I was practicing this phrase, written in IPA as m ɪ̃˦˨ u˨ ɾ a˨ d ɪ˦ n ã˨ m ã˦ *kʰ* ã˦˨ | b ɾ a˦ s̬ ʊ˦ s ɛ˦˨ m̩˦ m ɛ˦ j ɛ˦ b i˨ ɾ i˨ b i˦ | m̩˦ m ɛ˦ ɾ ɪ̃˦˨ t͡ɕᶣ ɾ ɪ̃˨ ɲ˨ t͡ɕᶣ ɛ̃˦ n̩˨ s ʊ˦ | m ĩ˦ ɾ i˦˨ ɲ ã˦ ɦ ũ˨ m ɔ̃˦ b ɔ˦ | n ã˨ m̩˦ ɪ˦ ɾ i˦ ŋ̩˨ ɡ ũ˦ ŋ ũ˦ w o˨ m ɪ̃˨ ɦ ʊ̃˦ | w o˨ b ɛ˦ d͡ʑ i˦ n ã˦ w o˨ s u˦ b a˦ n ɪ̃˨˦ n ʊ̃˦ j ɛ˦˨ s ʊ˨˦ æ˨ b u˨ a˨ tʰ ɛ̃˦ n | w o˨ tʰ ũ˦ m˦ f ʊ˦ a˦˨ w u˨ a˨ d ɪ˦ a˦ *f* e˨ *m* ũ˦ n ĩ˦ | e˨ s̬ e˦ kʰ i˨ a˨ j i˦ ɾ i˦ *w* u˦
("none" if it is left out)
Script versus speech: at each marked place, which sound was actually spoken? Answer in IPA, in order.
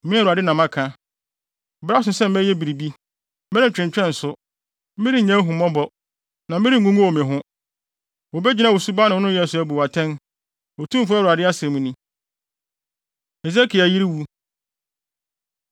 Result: kʰ, s, m, w

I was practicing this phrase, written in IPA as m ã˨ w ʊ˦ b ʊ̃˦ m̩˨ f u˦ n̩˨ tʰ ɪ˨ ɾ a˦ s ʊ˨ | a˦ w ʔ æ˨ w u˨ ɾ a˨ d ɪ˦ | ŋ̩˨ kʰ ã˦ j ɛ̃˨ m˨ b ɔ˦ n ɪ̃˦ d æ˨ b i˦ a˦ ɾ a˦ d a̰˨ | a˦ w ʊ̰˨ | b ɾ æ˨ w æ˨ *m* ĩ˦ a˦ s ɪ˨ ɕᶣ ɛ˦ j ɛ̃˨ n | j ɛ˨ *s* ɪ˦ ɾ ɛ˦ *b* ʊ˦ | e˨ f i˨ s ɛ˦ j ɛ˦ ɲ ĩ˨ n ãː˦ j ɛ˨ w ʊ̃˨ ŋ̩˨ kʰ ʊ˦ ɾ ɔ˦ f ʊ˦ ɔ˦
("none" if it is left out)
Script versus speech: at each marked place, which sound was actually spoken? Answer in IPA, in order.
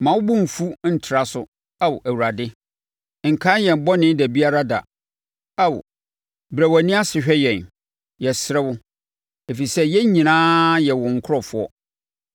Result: n, s, w

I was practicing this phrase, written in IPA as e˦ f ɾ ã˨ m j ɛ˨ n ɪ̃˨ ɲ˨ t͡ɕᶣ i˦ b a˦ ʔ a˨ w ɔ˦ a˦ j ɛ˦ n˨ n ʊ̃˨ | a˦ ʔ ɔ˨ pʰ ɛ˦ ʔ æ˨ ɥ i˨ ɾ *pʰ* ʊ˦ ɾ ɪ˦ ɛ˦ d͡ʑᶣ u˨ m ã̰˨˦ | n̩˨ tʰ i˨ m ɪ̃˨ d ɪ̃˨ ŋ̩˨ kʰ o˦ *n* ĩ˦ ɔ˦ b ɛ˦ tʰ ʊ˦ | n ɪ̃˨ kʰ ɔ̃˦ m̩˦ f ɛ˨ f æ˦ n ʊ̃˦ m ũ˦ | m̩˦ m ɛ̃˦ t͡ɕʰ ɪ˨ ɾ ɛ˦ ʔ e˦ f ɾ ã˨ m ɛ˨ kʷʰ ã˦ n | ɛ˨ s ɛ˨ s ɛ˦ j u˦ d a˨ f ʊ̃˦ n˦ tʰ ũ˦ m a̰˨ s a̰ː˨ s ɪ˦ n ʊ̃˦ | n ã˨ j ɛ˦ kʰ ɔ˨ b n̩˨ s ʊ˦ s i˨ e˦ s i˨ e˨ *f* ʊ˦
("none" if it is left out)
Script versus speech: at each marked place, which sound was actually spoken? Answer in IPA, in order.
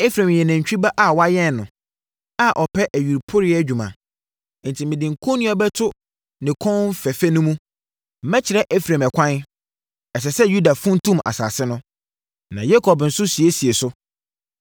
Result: pʰ, n, s

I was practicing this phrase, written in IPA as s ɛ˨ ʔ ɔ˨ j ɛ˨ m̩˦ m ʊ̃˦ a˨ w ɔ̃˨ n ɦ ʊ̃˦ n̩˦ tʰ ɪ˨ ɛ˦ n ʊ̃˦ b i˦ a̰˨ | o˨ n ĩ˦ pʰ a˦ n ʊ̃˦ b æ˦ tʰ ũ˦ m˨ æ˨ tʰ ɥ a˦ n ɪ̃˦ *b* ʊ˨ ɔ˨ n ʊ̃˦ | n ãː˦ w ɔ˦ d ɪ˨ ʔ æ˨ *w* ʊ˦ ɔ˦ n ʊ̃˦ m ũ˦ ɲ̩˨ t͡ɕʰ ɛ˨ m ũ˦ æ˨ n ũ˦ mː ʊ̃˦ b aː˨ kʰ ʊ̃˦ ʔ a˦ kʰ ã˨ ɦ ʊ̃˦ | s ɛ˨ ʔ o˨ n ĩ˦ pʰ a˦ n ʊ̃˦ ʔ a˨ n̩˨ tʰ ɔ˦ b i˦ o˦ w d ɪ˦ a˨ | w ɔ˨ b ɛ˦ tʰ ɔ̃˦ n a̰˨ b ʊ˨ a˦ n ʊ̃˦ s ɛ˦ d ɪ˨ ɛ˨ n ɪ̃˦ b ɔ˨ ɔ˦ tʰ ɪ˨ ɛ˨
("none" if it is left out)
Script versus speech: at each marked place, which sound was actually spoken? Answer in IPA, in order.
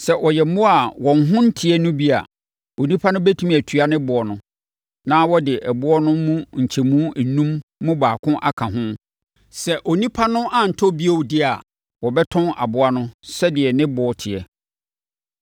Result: b, b

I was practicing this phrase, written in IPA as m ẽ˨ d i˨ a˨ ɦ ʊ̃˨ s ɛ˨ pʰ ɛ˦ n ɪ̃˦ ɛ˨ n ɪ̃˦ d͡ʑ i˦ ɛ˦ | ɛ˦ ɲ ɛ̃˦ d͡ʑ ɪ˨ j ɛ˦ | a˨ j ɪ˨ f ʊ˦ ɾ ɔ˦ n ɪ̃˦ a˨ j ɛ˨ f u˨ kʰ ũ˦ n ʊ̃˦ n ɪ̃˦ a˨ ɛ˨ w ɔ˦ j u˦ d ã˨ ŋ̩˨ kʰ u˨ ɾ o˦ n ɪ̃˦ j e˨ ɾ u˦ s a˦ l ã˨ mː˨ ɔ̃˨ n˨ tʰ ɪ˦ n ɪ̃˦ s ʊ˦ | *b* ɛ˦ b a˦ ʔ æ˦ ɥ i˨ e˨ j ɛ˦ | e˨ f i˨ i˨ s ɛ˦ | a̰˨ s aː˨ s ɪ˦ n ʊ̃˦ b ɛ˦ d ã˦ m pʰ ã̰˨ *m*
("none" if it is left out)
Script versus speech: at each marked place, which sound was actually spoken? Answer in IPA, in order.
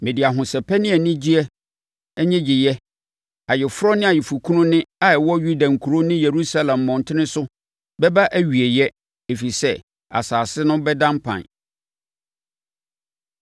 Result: b, n

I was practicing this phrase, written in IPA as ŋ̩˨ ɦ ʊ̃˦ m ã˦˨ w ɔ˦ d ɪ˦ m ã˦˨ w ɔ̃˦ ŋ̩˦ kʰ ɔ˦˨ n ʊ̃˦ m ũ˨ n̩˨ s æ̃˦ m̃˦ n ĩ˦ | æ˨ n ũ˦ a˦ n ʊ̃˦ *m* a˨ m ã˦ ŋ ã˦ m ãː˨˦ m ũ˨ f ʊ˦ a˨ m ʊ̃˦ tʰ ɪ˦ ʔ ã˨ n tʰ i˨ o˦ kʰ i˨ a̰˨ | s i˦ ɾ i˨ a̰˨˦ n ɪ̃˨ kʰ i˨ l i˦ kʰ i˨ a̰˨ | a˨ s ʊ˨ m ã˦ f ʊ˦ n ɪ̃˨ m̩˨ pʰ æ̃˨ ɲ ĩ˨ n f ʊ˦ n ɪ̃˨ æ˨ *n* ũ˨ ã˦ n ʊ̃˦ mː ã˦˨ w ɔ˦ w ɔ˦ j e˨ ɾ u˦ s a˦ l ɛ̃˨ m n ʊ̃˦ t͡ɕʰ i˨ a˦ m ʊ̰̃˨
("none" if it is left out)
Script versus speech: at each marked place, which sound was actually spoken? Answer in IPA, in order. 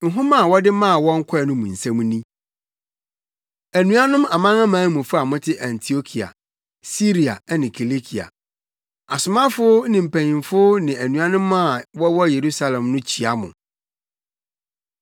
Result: m, n

